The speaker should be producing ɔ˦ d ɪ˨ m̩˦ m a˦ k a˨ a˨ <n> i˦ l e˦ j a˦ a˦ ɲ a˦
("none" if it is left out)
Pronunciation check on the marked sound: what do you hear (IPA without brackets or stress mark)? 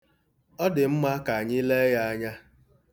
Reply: ɲ